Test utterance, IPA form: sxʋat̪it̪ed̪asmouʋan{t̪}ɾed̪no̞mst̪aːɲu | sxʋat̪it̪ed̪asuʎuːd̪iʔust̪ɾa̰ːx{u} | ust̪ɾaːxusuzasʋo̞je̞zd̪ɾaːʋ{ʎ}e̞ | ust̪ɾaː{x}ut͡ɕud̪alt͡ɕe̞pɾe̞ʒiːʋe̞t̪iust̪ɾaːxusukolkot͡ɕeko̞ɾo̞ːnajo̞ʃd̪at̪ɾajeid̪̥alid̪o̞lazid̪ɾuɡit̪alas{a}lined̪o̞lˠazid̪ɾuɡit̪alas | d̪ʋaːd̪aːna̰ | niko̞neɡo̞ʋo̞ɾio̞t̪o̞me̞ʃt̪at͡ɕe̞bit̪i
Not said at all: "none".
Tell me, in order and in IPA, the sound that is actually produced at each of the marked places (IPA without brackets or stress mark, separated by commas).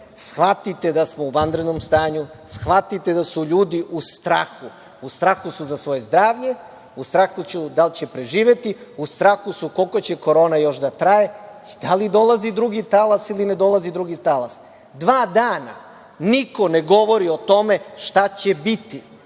d̪, u, ʎ, x, i